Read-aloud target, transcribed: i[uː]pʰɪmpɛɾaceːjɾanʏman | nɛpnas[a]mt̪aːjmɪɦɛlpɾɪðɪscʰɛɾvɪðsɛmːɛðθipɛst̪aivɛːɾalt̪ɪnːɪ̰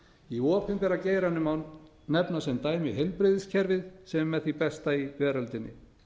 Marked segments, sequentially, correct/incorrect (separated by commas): incorrect, incorrect